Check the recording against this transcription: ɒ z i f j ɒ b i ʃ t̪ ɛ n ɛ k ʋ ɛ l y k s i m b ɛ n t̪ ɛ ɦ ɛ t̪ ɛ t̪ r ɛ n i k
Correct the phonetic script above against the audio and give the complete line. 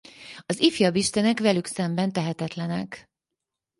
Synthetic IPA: ɒ z i f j ɒ b i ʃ t̪ ɛ n ɛ k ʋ ɛ l y k s ɛ m b ɛ n t̪ ɛ ɦ ɛ t̪ ɛ t̪ l ɛ n ɛ k